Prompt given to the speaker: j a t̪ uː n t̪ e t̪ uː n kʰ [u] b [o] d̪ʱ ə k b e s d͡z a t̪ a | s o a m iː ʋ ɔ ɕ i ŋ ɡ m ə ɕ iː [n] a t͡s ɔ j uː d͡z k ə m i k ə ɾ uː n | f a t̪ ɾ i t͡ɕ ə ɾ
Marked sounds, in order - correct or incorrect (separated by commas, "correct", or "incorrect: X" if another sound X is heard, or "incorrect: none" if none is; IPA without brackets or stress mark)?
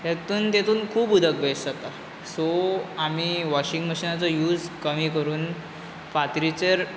incorrect: uː, incorrect: u, correct